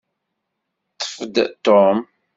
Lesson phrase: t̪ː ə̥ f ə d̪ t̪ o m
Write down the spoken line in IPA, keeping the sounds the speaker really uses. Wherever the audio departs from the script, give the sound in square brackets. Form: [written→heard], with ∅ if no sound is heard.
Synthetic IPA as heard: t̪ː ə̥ f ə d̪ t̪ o m